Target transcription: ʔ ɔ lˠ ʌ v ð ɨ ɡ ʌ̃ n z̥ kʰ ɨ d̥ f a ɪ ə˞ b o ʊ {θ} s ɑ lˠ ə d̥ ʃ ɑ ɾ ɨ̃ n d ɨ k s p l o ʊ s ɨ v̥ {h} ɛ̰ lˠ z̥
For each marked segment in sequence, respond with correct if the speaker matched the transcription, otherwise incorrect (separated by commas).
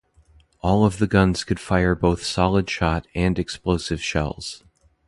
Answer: correct, incorrect